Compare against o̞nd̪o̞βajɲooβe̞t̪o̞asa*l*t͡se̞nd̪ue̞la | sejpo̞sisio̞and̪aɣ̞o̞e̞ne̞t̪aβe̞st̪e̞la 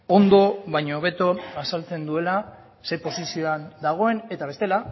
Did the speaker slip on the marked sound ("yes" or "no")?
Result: no